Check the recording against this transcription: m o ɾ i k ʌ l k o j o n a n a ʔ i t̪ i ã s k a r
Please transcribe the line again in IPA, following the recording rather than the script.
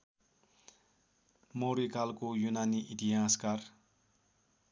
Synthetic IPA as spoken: m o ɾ i k a l k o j u n a n i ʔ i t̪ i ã s k a r